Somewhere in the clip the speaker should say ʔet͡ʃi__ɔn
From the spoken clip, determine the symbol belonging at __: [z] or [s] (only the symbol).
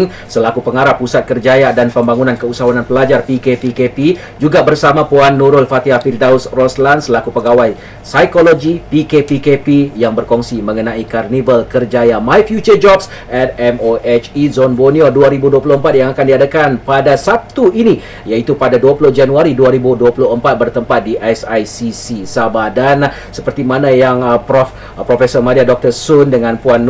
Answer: z